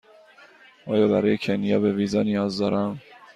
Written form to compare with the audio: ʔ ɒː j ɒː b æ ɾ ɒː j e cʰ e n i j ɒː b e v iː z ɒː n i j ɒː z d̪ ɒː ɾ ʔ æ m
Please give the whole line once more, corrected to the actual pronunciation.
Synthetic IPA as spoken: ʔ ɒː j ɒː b æ ɾ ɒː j e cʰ e n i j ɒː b e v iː z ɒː n i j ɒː z d̪ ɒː ɾ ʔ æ m